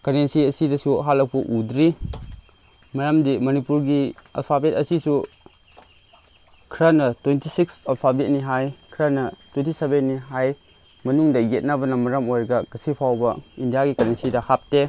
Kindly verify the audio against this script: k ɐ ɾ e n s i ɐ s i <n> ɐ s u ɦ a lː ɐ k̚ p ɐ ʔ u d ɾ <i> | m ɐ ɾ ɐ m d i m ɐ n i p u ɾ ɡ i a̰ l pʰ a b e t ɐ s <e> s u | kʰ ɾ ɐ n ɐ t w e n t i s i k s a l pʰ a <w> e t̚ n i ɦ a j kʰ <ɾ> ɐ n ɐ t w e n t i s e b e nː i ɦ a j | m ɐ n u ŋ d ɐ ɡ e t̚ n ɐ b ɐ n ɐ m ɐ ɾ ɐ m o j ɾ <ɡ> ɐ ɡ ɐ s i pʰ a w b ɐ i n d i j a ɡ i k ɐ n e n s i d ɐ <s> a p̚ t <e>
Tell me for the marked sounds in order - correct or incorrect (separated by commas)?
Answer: incorrect, correct, incorrect, incorrect, correct, correct, incorrect, correct